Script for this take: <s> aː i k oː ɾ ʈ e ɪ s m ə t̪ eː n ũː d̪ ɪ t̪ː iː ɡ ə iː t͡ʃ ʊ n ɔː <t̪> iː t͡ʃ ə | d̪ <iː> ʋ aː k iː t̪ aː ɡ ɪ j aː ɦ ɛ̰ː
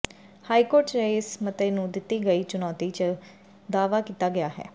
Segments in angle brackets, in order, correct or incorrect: incorrect: h, correct, incorrect: aː

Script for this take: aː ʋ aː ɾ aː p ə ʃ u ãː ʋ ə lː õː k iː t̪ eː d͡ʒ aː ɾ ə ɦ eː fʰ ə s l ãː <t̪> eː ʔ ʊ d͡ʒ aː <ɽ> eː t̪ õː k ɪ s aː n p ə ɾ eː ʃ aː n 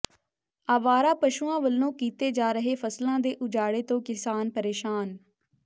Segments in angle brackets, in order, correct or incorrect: incorrect: d̪, correct

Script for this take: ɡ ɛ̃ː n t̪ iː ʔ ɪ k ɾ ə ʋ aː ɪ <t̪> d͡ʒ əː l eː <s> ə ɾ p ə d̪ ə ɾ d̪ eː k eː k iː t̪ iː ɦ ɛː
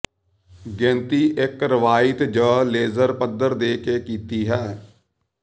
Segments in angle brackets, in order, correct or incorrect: correct, incorrect: z

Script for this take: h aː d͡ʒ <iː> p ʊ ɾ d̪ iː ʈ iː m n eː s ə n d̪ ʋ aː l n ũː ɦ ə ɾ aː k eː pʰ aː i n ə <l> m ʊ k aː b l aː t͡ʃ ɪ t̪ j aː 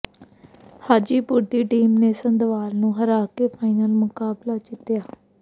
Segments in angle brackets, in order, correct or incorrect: correct, correct

